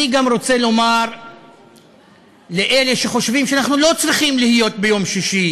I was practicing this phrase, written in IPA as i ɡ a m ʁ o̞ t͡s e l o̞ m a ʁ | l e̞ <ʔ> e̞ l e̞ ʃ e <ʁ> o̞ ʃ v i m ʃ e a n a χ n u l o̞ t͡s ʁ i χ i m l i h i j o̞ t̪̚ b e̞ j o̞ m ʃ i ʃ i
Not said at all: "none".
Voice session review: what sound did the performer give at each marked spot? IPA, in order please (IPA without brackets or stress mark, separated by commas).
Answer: ʔ, χ